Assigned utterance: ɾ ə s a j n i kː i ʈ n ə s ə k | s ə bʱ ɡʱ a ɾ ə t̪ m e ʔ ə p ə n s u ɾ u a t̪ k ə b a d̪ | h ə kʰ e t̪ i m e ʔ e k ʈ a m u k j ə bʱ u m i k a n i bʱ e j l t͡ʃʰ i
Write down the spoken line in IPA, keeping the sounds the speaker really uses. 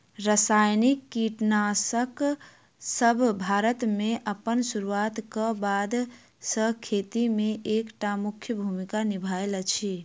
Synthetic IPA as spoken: ɾ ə s a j n i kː i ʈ n a s ə k | s ə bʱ bʱ a ɾ ə t̪ m e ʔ ə p ə n s u ɾ u a t̪ k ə b a d̪ | s ə kʰ e t̪ i m e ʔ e k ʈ a m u kʰ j ə bʱ u m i k a n i bʱ a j l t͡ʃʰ i